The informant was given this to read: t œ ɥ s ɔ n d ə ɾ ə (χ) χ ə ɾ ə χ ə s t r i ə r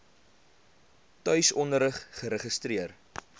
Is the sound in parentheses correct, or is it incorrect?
correct